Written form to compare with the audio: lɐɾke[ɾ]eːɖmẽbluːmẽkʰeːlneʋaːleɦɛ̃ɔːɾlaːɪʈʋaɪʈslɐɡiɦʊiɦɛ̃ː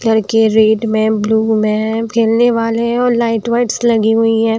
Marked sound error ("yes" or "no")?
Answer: no